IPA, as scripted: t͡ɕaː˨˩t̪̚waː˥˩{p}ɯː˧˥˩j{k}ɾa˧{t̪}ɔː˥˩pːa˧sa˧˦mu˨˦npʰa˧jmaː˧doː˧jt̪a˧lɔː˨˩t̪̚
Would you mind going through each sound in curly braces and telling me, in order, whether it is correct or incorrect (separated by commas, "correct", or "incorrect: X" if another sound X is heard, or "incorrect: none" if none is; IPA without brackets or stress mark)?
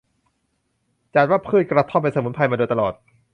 incorrect: pʰ, correct, incorrect: t̪ʰ